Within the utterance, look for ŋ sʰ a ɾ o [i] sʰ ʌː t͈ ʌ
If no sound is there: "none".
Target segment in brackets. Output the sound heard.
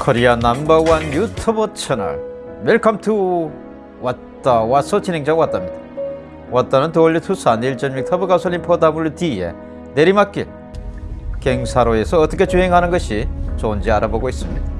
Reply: e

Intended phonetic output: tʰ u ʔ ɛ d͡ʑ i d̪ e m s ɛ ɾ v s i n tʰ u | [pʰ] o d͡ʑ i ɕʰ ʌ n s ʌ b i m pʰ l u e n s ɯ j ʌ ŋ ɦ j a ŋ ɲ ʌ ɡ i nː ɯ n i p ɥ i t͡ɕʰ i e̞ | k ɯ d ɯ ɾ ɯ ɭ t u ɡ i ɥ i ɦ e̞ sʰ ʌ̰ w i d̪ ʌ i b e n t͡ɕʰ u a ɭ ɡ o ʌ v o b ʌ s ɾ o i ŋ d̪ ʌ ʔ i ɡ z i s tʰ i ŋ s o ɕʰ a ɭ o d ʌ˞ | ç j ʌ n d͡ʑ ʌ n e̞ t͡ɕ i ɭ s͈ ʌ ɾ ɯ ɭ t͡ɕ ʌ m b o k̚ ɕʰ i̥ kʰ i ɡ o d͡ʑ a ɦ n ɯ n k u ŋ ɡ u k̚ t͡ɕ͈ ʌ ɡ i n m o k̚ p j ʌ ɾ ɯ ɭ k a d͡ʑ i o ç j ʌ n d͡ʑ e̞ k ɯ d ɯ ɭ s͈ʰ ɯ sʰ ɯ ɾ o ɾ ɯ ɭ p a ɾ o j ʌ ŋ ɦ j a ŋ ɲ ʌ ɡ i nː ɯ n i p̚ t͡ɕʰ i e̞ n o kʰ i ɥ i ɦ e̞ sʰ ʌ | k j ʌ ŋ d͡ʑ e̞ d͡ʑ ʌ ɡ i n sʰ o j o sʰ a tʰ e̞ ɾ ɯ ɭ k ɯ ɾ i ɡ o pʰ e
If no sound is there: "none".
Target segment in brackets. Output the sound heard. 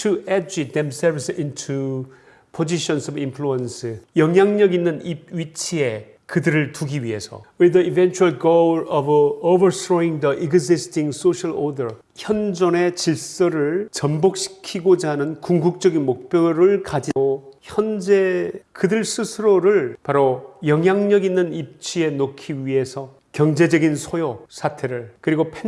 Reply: pʰ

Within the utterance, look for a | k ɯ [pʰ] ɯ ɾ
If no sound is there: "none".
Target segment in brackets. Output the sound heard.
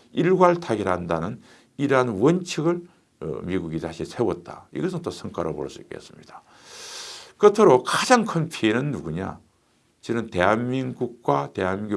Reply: tʰ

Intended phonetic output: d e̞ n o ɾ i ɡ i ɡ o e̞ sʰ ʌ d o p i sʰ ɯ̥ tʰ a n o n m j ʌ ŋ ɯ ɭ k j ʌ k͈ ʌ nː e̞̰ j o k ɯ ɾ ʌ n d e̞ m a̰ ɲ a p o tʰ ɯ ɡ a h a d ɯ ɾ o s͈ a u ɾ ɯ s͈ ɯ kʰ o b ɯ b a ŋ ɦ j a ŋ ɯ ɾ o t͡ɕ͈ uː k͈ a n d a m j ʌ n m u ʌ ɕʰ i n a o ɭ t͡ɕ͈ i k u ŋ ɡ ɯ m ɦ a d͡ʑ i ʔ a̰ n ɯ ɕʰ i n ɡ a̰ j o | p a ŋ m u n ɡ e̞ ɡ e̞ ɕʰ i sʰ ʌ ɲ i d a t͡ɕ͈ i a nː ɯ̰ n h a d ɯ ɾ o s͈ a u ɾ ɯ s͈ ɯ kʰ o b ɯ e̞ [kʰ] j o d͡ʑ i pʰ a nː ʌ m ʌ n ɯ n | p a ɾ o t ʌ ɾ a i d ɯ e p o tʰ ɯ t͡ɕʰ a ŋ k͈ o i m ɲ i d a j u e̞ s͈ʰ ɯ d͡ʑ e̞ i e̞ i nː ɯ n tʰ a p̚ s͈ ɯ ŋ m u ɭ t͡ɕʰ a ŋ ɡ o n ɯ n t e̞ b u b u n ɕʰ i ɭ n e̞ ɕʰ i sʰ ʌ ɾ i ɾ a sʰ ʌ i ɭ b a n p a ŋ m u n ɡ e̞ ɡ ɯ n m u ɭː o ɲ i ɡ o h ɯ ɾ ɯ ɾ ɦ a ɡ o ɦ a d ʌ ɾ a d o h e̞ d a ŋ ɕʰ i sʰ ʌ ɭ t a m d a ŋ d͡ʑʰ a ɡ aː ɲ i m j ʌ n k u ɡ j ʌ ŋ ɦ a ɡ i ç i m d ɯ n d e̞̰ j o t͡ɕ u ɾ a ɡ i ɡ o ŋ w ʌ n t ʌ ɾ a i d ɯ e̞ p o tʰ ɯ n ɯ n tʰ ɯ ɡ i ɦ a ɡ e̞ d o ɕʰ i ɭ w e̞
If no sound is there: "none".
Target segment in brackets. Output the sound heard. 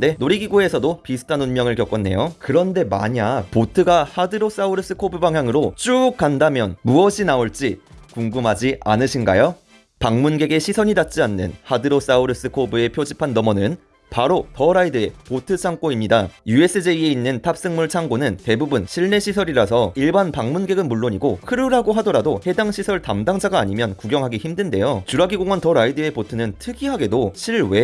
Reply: pʰ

